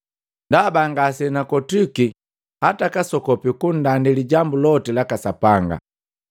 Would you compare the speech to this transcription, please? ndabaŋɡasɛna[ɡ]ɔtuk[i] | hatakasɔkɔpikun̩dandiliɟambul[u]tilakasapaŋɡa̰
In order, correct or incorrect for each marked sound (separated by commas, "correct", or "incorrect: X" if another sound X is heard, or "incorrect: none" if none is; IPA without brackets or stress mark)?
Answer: incorrect: k, correct, incorrect: ɔ